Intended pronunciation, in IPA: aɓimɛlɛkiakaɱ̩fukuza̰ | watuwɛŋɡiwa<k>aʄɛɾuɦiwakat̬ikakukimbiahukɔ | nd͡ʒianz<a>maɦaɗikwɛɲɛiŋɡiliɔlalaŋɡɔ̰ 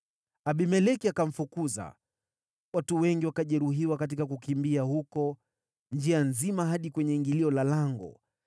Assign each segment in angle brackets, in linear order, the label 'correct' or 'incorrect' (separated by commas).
correct, incorrect